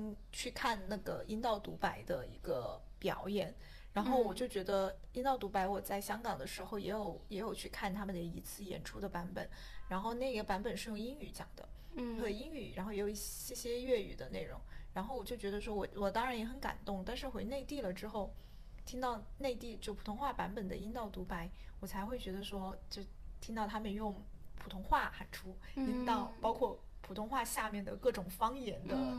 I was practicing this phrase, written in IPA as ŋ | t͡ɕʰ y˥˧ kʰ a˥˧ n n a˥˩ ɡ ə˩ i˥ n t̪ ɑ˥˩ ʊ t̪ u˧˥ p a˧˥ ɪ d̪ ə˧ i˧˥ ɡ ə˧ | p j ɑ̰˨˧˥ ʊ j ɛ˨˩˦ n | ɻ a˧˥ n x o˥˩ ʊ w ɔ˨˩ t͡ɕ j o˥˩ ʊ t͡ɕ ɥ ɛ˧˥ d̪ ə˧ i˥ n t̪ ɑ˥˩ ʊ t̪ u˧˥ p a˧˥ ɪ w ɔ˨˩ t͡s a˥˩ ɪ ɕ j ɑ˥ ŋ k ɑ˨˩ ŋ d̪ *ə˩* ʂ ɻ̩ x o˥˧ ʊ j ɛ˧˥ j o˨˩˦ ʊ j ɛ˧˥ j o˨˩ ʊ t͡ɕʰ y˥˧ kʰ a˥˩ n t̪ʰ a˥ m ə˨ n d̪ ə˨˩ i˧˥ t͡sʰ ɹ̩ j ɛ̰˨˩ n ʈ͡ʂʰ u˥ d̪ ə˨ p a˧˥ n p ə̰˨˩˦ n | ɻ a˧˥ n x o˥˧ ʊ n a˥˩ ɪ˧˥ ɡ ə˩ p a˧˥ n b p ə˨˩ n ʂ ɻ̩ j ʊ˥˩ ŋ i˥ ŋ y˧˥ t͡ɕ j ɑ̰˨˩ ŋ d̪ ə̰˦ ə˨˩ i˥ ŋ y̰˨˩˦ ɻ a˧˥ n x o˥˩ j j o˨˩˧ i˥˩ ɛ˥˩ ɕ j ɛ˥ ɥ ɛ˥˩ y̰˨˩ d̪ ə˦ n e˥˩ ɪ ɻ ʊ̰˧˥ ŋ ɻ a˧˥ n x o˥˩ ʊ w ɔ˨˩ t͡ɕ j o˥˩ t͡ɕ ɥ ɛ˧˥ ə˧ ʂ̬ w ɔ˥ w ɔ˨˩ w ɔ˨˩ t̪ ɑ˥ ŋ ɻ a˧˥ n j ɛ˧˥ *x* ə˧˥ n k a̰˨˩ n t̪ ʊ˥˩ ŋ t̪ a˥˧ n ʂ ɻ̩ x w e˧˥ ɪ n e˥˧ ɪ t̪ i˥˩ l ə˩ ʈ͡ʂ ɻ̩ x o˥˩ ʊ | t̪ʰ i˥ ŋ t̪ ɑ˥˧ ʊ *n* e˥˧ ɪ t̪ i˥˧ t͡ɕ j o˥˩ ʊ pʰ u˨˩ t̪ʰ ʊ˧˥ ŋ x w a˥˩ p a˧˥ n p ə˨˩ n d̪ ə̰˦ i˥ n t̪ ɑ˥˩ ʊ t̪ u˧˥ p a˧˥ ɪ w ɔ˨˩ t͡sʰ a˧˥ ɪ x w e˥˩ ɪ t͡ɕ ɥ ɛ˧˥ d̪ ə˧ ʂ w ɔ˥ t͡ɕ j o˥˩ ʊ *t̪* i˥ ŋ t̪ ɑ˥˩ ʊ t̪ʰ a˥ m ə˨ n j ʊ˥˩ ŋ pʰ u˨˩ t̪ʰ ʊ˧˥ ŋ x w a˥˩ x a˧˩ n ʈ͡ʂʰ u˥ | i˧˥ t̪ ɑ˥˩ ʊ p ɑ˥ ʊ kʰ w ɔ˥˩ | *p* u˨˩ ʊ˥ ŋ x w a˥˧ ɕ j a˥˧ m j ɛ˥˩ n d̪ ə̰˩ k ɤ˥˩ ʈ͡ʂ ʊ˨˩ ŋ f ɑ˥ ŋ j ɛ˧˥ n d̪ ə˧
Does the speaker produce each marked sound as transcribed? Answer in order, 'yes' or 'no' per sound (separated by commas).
no, yes, yes, no, no